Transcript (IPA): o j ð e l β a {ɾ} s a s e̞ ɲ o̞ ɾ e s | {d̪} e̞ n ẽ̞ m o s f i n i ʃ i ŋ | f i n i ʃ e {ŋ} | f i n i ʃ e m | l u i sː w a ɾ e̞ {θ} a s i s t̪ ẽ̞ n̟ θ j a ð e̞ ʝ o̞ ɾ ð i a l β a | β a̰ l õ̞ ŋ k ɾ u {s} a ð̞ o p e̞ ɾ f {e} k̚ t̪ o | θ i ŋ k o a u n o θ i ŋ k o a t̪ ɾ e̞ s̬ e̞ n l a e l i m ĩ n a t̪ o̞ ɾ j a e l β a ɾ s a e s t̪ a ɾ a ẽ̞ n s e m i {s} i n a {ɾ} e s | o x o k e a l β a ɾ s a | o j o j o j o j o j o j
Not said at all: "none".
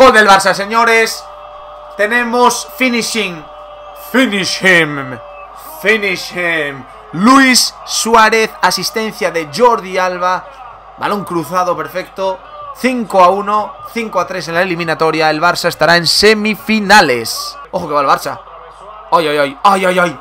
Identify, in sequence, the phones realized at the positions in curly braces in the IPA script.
ɾ, t̪, m, θ, θ, e, f, l

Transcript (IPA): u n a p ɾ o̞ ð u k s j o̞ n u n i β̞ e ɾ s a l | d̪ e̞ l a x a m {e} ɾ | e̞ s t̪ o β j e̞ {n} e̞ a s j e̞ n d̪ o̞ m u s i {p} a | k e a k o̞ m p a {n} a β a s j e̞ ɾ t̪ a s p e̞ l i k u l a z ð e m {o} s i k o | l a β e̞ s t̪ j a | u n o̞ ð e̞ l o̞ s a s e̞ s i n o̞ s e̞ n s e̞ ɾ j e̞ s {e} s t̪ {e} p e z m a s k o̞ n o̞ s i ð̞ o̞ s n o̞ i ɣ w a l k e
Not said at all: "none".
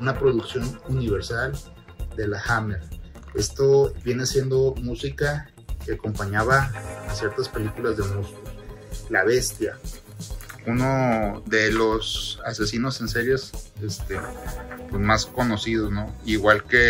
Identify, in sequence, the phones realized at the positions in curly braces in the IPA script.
e, n, k, ɲ, u, e, e

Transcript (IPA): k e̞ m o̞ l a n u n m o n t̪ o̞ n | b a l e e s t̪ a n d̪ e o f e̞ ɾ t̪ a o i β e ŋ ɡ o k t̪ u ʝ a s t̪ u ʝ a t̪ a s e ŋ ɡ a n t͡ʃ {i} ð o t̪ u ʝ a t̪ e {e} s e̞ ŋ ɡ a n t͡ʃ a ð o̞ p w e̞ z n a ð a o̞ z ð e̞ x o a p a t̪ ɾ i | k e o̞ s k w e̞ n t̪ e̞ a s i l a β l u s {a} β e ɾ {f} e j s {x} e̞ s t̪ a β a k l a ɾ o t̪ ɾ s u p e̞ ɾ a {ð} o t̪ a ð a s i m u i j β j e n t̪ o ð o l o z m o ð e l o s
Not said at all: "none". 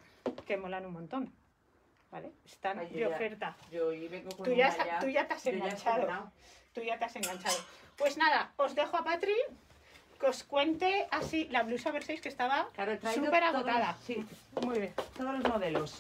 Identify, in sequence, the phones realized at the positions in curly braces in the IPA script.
a, a, a, s, k, ɣ

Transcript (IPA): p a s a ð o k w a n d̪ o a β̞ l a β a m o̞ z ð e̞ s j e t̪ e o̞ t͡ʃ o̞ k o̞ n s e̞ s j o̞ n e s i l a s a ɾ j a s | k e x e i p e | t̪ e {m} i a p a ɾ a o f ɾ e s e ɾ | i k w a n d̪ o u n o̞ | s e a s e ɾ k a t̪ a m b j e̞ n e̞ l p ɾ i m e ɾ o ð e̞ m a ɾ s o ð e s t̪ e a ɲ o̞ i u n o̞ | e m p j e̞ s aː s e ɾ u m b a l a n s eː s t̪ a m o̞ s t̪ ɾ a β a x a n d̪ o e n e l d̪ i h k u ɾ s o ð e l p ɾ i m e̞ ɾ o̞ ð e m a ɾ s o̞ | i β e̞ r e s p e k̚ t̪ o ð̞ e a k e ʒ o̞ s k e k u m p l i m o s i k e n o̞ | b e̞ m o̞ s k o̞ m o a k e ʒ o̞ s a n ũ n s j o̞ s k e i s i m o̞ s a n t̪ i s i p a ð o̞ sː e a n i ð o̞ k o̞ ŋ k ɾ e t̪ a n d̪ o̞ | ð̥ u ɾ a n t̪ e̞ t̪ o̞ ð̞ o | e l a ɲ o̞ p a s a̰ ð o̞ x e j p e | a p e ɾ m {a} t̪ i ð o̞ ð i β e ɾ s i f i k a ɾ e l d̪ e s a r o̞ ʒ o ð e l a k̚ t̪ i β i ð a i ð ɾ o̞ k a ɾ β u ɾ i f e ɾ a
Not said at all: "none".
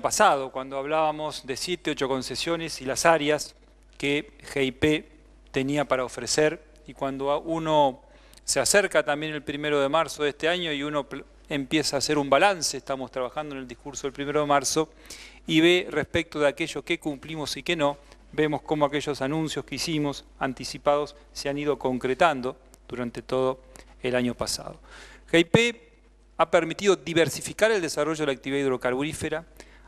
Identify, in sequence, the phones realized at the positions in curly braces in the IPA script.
n, i

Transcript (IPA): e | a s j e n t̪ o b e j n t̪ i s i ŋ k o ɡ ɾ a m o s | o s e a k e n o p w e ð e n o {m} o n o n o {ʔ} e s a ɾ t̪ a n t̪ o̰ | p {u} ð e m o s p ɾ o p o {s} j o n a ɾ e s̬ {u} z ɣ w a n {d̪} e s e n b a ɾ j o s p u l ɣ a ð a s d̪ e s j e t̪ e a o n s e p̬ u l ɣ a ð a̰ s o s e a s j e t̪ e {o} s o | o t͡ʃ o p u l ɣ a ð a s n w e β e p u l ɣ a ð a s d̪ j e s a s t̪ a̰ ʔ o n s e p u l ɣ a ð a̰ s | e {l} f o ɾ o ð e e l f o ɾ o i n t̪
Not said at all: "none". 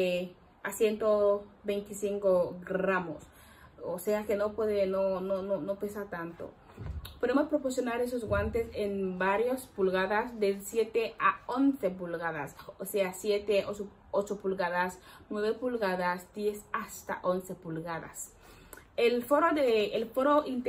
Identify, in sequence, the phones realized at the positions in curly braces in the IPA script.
n, p, o, s, o, t̪, o, l

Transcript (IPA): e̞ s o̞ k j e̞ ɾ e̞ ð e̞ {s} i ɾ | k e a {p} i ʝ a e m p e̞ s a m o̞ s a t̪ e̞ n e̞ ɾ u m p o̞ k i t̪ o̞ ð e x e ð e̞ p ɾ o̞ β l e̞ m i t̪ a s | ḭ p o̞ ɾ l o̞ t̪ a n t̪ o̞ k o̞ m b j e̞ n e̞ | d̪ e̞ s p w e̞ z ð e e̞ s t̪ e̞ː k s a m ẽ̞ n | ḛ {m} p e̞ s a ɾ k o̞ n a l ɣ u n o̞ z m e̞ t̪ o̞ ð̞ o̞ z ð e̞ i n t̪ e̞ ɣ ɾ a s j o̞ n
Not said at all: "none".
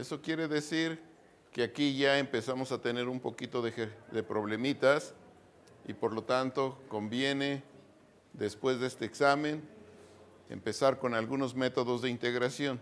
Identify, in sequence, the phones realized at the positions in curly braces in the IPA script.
s, k, m

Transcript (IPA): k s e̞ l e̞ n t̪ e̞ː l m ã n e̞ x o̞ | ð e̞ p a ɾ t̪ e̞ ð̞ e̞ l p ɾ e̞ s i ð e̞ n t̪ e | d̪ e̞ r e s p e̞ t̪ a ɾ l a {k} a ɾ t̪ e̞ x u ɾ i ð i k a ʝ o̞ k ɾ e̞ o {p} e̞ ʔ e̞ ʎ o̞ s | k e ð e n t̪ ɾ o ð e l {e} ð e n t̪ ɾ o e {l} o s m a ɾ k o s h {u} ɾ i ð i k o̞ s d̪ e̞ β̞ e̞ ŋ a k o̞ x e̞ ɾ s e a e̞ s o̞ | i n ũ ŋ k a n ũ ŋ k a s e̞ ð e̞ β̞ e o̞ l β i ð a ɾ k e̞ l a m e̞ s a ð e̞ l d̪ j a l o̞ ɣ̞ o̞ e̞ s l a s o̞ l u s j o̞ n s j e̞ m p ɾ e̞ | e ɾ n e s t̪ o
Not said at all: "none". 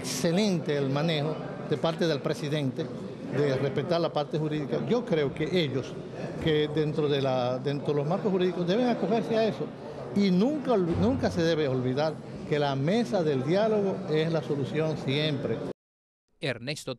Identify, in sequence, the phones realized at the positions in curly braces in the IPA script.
p, k, a, l, u

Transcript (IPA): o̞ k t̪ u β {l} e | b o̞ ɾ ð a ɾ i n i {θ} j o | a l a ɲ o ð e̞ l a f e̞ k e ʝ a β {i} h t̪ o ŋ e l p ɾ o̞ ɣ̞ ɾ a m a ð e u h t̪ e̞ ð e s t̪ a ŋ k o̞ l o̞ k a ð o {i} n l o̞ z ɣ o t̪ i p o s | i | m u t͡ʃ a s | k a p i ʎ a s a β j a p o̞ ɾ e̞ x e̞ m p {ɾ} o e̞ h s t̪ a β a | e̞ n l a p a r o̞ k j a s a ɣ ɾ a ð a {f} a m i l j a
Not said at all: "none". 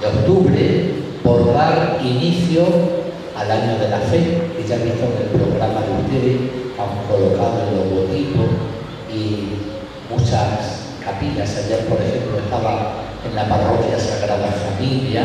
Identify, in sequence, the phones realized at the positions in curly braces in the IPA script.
ɾ, θ, i, e, l, f

